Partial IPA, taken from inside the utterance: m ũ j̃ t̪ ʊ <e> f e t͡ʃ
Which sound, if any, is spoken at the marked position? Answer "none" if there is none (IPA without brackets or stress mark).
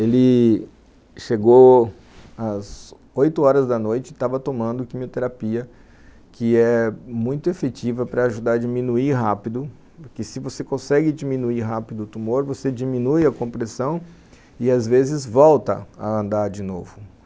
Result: e